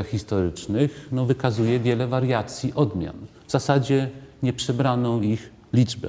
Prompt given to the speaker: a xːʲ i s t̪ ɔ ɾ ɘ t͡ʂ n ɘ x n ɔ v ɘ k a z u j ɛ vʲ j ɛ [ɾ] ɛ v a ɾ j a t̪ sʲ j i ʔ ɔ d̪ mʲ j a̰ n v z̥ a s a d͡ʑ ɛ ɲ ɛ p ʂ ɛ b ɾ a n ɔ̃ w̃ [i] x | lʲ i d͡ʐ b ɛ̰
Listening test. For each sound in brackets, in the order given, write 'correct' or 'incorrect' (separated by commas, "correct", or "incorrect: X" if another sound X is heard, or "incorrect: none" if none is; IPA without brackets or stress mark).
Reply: incorrect: l, correct